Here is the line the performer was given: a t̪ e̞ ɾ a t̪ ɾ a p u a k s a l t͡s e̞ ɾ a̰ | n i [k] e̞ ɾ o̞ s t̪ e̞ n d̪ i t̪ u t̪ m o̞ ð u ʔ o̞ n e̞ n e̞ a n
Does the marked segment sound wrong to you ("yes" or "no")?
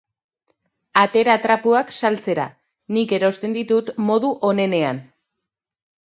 no